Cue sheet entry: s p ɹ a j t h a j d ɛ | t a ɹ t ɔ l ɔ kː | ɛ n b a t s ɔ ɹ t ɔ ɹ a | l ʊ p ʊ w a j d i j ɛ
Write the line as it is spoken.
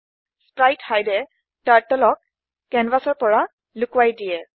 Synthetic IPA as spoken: s p ɹ a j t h a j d ɛ | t a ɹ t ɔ l ɔ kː | ɛ n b a s ɔ ɹ p ɔ ɹ a | l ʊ k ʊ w a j d i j ɛ